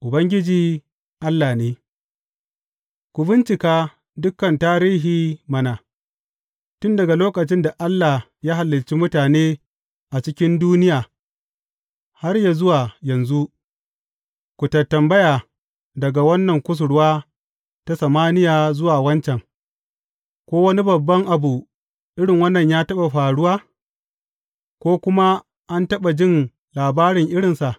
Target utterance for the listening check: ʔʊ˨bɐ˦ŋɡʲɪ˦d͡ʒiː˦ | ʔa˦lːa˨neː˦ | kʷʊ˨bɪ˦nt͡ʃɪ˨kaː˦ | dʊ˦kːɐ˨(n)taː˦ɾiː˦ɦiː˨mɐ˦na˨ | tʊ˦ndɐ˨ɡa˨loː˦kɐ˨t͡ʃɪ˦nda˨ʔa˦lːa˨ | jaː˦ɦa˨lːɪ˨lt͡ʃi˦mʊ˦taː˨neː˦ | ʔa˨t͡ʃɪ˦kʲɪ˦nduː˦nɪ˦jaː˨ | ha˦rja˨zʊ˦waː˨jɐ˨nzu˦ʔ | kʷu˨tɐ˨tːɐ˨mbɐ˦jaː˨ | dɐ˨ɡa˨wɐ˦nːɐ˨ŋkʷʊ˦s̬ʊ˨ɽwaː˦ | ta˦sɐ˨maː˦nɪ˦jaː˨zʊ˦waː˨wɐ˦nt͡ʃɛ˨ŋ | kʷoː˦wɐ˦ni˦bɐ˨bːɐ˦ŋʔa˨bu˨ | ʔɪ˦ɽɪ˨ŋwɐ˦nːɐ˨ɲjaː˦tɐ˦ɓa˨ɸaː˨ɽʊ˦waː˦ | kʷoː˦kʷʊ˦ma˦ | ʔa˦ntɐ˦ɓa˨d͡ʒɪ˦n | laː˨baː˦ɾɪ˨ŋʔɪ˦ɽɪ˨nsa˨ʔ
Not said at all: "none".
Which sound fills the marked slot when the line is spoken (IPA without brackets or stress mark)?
n